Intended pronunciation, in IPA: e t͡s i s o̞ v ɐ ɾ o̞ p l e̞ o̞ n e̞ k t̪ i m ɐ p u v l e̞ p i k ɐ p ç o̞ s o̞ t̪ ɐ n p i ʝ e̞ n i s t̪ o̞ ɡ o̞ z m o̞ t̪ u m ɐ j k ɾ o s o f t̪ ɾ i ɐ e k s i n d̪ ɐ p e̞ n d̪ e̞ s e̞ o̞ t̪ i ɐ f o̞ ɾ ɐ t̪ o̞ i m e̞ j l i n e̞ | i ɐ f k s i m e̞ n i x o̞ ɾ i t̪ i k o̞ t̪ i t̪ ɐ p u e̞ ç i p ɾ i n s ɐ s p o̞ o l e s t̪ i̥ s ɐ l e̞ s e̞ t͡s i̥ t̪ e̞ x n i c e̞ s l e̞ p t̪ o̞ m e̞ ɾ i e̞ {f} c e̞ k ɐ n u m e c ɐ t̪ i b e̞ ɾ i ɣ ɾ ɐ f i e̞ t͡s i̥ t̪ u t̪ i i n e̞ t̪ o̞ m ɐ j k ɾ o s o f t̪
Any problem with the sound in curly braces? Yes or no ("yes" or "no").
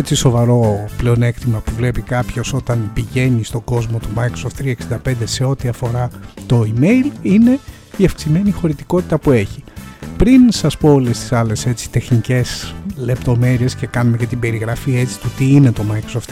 yes